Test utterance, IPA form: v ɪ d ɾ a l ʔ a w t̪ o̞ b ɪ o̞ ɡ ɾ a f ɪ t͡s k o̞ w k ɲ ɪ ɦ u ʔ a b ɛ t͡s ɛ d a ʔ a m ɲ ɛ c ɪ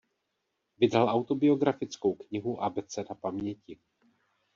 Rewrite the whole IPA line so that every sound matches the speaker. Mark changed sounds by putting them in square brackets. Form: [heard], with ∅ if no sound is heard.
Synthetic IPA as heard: v ɪ d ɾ a l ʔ a w t̪ o̞ b ɪ o̞ ɡ ɾ a f ɪ t͡s k o̞ w k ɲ ɪ ɦ u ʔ a b ɛ t͡s ɛ d a [p] a m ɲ ɛ c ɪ

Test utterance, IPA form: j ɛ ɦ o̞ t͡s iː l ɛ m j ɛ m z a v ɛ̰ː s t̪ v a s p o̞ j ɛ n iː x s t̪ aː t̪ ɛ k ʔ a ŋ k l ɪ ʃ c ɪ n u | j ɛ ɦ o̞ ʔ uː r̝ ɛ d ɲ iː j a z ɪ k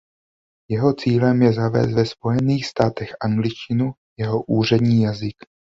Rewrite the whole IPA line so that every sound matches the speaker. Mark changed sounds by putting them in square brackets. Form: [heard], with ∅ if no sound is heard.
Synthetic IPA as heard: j ɛ ɦ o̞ t͡s iː l ɛ m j ɛ [∅] z a v ɛ̰ː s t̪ v [ɛ] s p o̞ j ɛ n iː x s t̪ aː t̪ ɛ [x] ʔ a ŋ [ɡ] l ɪ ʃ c ɪ n u | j ɛ ɦ o̞ ʔ uː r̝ ɛ d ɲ iː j a z ɪ k

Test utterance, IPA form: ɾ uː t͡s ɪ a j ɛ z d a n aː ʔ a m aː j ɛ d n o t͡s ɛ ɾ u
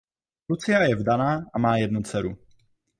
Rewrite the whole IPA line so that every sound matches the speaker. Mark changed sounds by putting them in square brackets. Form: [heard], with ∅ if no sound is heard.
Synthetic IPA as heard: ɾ [u] t͡s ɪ a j ɛ [v] d a n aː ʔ a m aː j ɛ d n [u] t͡s ɛ ɾ u

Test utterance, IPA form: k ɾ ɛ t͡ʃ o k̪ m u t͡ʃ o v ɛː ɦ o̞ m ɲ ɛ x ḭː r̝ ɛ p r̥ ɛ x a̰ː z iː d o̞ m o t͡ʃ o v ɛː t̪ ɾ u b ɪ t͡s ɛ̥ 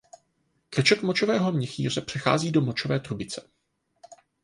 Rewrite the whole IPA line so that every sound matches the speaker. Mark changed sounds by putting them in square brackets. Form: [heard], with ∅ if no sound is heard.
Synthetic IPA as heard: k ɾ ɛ t͡ʃ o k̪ m [o] t͡ʃ o v ɛː ɦ o̞ m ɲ ɛ x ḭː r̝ ɛ p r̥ ɛ x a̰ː z iː d o̞ m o t͡ʃ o v ɛː t̪ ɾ u b ɪ t͡s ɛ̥

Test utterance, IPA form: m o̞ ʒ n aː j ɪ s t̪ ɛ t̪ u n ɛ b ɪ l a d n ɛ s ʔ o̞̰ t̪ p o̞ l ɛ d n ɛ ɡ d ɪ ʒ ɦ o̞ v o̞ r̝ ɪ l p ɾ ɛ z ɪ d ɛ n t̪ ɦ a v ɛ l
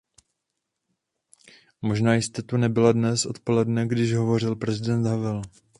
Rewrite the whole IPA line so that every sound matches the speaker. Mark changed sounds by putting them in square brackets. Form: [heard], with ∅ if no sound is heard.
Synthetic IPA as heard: m o̞ ʒ n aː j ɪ s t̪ ɛ t̪ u n ɛ b ɪ l a d n ɛ s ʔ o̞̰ t̪ p o̞ l ɛ d n ɛ ɡ d ɪ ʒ ɦ o̞ v o̞ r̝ ɪ l p ɾ ɛ z ɪ d ɛ n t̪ ɦ a v ɛ l

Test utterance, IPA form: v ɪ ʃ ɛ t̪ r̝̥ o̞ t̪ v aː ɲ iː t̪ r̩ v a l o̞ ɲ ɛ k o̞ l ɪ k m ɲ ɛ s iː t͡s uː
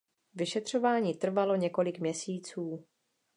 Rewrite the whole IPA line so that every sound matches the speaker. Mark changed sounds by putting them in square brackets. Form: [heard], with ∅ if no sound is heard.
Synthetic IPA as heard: v ɪ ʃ ɛ t̪ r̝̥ o̞ [∅] v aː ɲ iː t̪ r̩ v a l o̞ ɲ ɛ k o̞ l ɪ k m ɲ ɛ s iː t͡s uː

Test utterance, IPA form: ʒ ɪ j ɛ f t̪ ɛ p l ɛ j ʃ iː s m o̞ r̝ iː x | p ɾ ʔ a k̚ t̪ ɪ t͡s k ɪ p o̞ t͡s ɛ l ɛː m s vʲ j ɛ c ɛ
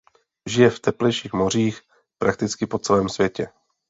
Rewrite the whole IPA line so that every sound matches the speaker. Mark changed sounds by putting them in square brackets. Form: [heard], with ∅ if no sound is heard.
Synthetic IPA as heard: ʒ ɪ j ɛ f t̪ ɛ p l ɛ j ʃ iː [x] m o̞ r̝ iː x | p ɾ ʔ a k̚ t̪ ɪ t͡s k ɪ p o̞ t͡s ɛ l ɛː m s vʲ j ɛ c ɛ

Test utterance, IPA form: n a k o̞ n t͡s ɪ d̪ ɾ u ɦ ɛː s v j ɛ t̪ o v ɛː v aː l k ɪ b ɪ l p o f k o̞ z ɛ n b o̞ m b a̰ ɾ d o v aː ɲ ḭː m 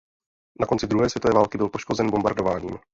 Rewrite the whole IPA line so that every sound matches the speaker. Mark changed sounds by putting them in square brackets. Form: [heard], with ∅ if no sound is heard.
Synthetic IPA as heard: n a k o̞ n t͡s ɪ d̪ ɾ u ɦ ɛː s v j ɛ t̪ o v ɛː v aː l k ɪ b ɪ l p o [ʃ] k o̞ z ɛ n b o̞ m b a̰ ɾ d o v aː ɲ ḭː m

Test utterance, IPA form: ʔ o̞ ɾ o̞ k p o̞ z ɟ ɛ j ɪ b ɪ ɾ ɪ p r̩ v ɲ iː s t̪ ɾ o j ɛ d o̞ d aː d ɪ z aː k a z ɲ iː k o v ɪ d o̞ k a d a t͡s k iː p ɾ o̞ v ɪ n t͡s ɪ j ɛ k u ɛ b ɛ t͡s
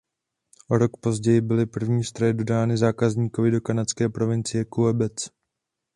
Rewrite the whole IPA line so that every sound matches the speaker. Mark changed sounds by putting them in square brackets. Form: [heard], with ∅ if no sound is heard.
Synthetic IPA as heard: ʔ o̞ ɾ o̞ k p o̞ z ɟ ɛ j ɪ b ɪ [l] ɪ p r̩ v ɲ iː s t̪ ɾ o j ɛ d o̞ d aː [n] ɪ z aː k a z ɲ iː k o v ɪ d o̞ k a [n] a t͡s k [ɛː] p ɾ o̞ v ɪ n t͡s ɪ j ɛ k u ɛ b ɛ t͡s

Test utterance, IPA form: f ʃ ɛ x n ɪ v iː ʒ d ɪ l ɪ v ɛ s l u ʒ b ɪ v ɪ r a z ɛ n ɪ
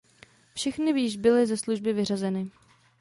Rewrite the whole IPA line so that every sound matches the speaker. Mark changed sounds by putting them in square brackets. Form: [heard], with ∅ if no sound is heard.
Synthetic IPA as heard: f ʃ ɛ x n ɪ v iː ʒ [b] ɪ l ɪ [z] ɛ s l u ʒ b ɪ v ɪ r a z ɛ n ɪ

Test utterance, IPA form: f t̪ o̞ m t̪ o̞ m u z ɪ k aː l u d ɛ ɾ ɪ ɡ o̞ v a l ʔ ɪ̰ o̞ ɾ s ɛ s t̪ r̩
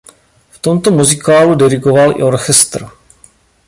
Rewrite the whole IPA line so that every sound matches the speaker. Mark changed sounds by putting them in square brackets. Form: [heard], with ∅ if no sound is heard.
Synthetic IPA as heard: f t̪ o̞ m t̪ o̞ m u z ɪ k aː l u d ɛ ɾ ɪ ɡ o̞ v a l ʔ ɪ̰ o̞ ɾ [x] ɛ s t̪ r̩

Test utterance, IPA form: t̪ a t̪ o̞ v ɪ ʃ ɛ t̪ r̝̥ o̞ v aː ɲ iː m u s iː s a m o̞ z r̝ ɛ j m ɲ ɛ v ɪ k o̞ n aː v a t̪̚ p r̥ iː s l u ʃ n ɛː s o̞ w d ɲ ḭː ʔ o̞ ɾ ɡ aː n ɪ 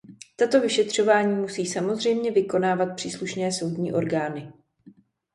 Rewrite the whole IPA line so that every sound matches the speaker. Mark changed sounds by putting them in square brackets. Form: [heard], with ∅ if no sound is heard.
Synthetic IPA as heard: t̪ a t̪ o̞ v ɪ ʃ ɛ t̪ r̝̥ o̞ v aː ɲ iː m u s iː s a m o̞ z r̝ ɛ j m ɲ ɛ v ɪ k o̞ n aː v a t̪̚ p r̥ iː s l u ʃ n ɛː s o̞ w d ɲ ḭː ʔ o̞ ɾ ɡ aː n ɪ

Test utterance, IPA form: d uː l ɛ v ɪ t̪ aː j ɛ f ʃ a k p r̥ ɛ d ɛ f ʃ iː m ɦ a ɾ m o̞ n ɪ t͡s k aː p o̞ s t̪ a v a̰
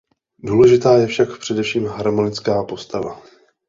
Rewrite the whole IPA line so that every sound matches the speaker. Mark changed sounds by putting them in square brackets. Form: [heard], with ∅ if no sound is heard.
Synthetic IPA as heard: d uː l ɛ [ʒ] ɪ t̪ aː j ɛ f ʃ a k p r̥ ɛ d ɛ f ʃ iː m ɦ a ɾ m o̞ n ɪ t͡s k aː p o̞ s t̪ a v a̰

